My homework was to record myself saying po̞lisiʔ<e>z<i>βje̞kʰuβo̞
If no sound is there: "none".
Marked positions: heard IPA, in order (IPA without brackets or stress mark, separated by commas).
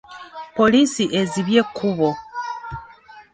e, i